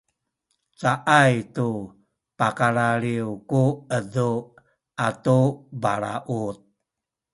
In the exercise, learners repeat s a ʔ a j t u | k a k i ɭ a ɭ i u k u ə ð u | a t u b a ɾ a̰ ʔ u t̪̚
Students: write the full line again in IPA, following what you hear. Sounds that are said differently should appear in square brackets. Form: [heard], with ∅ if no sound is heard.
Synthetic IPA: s a ʔ a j t u | [p] a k [a] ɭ a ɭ i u k u ə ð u | a t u b a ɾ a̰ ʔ u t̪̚